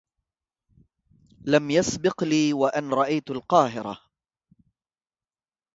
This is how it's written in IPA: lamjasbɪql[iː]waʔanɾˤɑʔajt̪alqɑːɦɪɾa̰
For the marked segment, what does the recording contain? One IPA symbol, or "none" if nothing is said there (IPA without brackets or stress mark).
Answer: iː